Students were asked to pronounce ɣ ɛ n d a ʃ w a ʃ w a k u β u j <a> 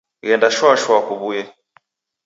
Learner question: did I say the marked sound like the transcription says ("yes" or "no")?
no